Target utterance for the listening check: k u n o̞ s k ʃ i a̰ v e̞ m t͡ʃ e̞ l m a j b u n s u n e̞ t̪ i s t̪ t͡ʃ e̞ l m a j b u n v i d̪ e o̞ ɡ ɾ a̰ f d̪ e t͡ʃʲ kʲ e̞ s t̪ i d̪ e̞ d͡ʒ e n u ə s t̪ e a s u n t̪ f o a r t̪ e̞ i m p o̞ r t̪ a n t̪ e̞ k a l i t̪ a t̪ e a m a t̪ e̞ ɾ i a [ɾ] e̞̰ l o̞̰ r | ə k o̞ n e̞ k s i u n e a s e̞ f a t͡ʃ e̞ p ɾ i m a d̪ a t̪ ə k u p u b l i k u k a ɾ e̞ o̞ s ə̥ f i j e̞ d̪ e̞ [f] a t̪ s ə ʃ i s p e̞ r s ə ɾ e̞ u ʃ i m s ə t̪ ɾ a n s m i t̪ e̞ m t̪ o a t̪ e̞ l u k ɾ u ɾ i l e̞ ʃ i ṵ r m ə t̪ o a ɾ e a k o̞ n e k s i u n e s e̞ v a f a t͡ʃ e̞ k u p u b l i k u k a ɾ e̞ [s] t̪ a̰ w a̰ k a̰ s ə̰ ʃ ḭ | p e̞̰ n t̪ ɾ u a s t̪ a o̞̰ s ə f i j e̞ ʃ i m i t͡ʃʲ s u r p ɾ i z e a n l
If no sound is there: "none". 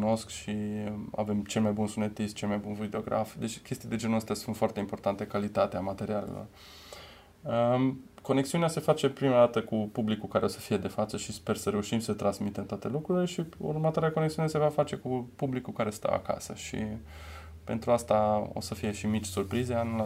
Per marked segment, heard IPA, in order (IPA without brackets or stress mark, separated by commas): l, f, s